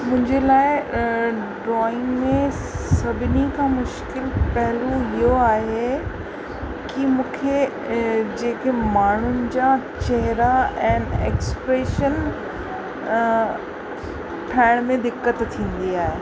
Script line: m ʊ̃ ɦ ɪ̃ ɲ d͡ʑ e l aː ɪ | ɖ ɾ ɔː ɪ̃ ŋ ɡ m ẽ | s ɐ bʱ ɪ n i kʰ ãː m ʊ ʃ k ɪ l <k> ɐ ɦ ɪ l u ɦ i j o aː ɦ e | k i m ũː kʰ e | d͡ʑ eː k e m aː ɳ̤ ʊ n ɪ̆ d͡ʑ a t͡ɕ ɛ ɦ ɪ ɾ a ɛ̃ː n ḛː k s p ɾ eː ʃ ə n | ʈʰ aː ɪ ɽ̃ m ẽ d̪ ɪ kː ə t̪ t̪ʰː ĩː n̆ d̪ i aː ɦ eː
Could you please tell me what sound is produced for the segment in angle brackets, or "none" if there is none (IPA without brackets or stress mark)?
p